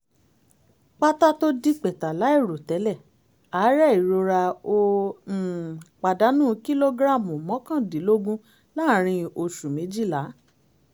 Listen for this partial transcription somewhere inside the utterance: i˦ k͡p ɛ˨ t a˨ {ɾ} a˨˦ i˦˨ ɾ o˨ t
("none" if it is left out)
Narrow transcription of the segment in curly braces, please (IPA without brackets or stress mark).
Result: l